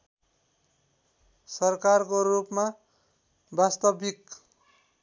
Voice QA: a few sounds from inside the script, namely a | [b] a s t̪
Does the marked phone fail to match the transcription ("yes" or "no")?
no